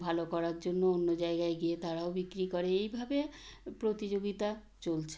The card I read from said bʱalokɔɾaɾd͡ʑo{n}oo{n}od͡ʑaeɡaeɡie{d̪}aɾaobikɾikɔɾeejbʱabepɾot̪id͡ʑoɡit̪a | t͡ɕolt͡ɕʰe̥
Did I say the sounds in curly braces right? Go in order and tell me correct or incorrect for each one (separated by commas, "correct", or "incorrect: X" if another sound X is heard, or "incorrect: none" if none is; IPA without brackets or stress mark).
incorrect: nː, incorrect: nː, incorrect: t̪